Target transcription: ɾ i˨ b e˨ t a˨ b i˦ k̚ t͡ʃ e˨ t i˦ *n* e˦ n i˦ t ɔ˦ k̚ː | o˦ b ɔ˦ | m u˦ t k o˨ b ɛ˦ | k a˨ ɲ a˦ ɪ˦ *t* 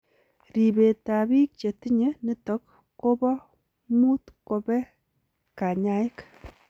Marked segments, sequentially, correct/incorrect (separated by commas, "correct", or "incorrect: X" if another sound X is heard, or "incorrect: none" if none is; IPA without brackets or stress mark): incorrect: ɲ, incorrect: k